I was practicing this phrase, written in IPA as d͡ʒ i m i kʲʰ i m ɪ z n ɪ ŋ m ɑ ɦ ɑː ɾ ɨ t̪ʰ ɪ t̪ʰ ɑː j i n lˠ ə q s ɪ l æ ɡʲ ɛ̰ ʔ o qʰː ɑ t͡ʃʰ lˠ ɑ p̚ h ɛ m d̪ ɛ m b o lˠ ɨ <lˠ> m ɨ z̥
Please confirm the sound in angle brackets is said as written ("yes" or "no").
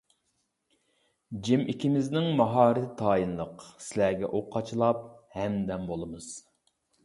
no